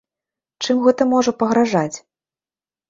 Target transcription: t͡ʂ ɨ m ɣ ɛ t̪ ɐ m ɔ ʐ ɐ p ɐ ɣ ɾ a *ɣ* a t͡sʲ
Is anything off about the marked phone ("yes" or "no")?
yes